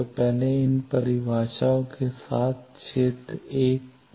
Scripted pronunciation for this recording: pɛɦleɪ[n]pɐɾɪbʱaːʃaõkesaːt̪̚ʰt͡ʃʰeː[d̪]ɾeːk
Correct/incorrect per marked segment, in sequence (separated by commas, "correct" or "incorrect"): correct, incorrect